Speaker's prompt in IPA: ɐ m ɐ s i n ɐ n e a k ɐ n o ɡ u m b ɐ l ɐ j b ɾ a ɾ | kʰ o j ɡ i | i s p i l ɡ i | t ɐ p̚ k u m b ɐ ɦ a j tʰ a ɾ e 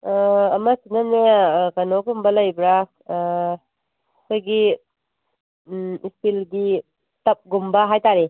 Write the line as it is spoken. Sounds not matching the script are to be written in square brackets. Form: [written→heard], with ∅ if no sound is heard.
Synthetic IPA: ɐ m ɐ s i n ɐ n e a k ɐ n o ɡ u m b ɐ l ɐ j b ɾ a [ɾ→∅] | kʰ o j ɡ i | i s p i l ɡ i | t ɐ p̚ [k→ɡ] u m b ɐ ɦ a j [tʰ→t] a ɾ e